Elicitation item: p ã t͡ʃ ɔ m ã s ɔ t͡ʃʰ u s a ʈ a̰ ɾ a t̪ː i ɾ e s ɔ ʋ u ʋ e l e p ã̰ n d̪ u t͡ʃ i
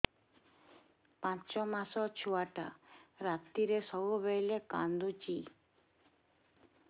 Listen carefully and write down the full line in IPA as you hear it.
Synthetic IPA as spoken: p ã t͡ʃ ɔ m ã s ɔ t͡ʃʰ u a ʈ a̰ ɾ a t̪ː i ɾ e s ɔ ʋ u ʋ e l e k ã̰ n d̪ u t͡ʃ i

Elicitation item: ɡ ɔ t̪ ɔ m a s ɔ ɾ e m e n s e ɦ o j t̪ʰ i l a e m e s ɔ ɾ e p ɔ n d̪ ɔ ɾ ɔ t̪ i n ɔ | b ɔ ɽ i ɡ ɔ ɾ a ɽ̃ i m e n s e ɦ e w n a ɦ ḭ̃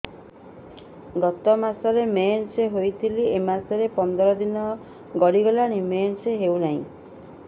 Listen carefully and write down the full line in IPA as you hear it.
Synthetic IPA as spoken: ɡ ɔ t̪ ɔ m a s ɔ ɾ e m e n s e ɦ o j t̪ʰ i l i e m a s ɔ ɾ e p ɔ n d̪ ɔ ɾ ɔ d̪ i n ɔ | ɡ ɔ ɽ i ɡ ɔ l a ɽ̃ i m e n s e ɦ e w n a ɦ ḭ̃

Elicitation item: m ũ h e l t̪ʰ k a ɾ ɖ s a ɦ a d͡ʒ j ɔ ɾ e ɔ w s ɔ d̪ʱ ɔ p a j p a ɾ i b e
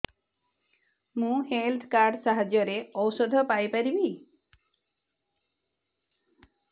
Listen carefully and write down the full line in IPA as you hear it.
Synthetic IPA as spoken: m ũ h e l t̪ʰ k a ɾ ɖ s a ɦ a d͡ʒ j ɔ ɾ e ɔ w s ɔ d̪ʱ ɔ p a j p a ɾ i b i

